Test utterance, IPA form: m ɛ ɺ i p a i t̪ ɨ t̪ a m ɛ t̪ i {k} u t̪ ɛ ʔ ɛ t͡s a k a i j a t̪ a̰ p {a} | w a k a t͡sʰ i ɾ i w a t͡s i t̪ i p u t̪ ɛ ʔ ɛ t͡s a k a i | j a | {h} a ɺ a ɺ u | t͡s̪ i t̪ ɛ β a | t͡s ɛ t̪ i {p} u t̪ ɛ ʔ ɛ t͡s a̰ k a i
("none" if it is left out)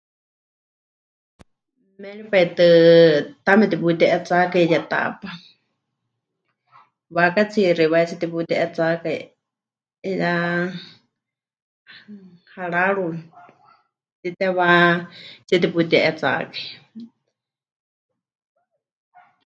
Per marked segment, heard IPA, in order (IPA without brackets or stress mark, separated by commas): p, a, h, p